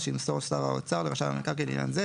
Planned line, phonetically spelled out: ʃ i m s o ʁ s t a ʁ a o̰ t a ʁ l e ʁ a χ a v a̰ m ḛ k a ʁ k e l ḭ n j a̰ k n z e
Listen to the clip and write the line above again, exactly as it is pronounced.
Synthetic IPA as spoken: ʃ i m s o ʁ s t a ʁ a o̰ t͡s a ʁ l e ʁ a ʃ a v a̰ m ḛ k a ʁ k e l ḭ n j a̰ n z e

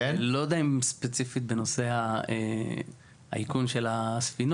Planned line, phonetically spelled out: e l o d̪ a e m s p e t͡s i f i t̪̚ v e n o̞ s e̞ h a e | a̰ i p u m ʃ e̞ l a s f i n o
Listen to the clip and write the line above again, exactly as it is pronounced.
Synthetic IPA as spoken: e l o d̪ a i m s p e t͡s i f i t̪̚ b e n o̞ s e̞ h a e | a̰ i k u n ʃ e̞ l a s f i n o

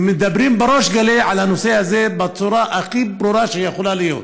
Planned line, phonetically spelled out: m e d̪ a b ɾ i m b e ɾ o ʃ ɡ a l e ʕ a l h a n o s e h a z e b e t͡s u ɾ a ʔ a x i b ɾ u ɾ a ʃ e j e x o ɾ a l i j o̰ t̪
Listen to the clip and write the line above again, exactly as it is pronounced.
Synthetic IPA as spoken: m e d̪ a b ɾ i m b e ɾ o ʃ ɡ a l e ʕ a l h a n o s e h a z e b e t͡s u ɾ a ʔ a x i b ɾ u ɾ a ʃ e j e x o l a l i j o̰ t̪

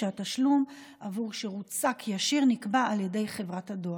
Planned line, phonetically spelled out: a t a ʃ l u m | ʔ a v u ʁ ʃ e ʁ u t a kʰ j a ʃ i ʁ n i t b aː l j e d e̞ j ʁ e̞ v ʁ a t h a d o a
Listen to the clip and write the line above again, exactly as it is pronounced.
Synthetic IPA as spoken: a t a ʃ l u m | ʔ a v u ʁ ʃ e ʁ u t͡s a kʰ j a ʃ i ʁ n i k b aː l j e d e̞ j χ e̞ v ʁ a t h a d o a

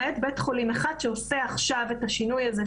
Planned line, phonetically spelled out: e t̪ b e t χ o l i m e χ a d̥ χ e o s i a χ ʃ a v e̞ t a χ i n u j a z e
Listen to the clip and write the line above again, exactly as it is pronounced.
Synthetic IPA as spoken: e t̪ b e t χ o l i m e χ a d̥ ʃ e o s e a χ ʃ a v e̞ t a ʃ i n u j a z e

